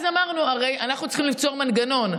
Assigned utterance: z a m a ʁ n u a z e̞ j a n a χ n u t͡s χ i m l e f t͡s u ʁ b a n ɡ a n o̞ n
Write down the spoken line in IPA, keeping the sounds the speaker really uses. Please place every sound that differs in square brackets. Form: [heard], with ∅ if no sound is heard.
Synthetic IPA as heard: z a m a ʁ n u a [ʁ] e̞ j a n a χ n u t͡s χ i m l [i] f t͡s [o] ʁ [m] a n ɡ a n o̞ n